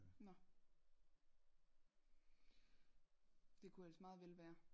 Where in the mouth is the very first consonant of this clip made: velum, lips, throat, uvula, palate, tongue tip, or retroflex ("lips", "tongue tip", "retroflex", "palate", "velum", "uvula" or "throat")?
tongue tip